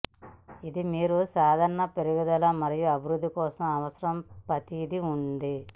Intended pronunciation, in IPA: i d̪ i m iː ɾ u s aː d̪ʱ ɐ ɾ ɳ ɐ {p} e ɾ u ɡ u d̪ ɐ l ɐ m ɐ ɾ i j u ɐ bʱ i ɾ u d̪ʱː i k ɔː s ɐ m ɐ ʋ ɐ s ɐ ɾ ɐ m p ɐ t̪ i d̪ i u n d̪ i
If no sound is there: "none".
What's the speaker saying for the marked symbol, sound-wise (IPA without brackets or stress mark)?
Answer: p